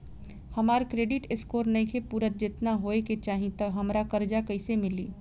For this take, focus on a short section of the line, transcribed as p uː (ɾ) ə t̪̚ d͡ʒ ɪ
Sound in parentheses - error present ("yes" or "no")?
no